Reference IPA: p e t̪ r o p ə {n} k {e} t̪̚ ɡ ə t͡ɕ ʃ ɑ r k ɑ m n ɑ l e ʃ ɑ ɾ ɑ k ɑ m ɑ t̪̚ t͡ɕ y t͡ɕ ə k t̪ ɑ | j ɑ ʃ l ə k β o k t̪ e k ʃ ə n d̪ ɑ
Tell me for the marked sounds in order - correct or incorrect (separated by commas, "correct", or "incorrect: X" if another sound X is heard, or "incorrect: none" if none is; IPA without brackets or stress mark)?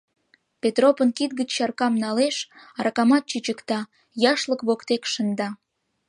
correct, incorrect: i